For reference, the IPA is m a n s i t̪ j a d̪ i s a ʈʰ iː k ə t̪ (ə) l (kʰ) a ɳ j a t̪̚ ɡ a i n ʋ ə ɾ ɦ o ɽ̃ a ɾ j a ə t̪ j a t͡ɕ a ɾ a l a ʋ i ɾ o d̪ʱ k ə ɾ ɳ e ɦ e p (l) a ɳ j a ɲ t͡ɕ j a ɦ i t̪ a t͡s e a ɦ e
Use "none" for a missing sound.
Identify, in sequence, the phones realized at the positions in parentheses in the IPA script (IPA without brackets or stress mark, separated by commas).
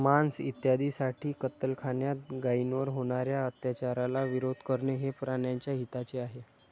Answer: ə, kʰ, ɾ